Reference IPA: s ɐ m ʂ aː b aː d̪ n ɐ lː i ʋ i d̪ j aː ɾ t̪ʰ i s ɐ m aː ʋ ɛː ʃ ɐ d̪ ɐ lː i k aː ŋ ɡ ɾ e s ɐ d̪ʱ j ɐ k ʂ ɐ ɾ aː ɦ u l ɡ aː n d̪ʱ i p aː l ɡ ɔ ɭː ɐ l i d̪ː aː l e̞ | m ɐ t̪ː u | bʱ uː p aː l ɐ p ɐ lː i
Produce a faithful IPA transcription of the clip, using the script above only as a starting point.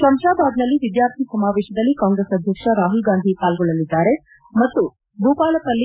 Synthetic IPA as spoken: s ɐ m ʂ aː b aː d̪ n ɐ lː i ʋ i d̪ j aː ɾ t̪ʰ i s ɐ m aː ʋ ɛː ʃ ɐ d̪ ɐ lː i k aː ŋ ɡ ɾ e s ɐ d̪ʱ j ɐ k ʂ ɐ ɾ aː ɦ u l ɡ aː n d̪ʱ i p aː l ɡ ɔ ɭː ɐ l i d̪ː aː ɾ e̞ | m ɐ t̪ː u | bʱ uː p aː l ɐ p ɐ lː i

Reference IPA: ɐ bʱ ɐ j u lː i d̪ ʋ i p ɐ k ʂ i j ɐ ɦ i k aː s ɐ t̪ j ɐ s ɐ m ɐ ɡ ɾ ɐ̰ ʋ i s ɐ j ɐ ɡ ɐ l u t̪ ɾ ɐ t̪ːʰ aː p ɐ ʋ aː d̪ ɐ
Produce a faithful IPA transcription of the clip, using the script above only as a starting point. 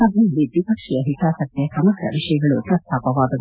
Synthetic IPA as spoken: ɐ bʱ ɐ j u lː i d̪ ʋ i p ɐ k ʂ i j ɐ ɦ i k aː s ɐ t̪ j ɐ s ɐ m ɐ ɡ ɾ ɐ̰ ʋ i ʂ ɐ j ɐ ɡ ɐ ɭ u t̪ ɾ ɐ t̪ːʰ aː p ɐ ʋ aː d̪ ɐ

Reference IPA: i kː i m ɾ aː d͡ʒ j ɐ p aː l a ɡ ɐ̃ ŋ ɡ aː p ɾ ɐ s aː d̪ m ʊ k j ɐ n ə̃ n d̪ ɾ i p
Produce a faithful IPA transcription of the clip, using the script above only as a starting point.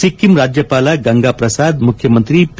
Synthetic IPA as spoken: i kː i m ɾ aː d͡ʒ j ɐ p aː l a ɡ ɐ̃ ŋ ɡ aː p ɾ ɐ s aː d̪ m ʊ kʰ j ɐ m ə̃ n t̪ ɾ i p

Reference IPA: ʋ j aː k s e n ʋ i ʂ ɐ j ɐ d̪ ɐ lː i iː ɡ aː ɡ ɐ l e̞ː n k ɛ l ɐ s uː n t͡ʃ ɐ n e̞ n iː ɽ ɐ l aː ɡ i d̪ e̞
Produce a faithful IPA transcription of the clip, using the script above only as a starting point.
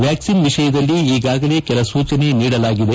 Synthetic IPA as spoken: ʋ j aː k s i n ʋ i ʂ ɐ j ɐ d̪ ɐ lː i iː ɡ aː ɡ ɐ l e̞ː k ɛ l ɐ s uː t͡ʃ ɐ n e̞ n iː ɽ ɐ l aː ɡ i d̪ e̞

